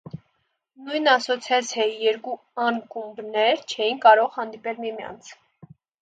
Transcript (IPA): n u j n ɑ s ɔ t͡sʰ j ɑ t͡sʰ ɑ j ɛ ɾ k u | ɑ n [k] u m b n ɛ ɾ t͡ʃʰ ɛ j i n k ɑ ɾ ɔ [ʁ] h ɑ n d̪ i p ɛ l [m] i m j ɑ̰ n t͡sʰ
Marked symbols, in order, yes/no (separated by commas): yes, yes, yes